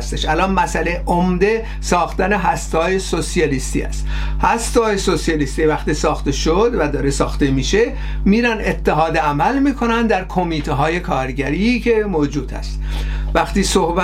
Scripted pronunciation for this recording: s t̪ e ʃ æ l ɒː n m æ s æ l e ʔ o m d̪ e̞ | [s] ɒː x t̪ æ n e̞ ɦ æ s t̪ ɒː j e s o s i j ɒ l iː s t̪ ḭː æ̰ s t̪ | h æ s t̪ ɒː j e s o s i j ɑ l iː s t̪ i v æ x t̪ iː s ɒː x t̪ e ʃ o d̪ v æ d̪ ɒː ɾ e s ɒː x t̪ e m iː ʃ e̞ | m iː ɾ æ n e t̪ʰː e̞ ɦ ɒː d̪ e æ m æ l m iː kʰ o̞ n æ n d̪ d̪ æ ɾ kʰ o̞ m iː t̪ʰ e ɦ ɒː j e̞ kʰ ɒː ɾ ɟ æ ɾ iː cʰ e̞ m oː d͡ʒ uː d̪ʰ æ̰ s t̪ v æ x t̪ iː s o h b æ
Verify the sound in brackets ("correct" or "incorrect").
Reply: correct